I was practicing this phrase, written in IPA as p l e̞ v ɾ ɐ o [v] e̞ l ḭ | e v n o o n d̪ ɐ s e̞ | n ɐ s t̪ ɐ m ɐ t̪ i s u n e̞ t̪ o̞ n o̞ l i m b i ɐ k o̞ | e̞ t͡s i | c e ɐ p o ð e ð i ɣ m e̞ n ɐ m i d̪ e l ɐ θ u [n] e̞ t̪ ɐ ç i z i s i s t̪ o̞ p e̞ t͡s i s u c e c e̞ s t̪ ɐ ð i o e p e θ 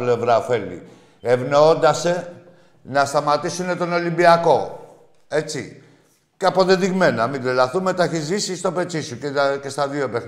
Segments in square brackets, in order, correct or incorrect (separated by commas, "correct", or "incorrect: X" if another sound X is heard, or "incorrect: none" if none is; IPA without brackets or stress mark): incorrect: f, incorrect: m